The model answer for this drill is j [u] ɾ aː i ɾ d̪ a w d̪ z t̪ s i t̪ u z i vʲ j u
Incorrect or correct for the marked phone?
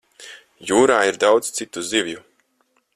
incorrect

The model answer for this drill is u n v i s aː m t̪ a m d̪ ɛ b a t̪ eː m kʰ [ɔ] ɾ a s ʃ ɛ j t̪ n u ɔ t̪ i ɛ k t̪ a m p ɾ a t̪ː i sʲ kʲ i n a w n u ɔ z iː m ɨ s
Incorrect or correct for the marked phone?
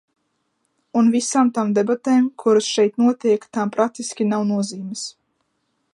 incorrect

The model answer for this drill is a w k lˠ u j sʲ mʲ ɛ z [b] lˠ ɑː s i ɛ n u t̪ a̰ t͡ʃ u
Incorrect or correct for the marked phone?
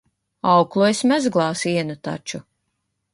incorrect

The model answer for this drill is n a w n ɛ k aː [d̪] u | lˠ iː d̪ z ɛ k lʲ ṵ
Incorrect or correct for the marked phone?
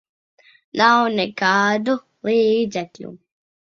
correct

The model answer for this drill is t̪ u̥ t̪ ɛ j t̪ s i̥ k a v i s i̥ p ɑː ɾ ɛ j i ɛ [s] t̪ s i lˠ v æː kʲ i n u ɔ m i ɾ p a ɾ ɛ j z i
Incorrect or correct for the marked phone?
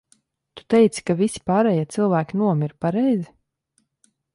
incorrect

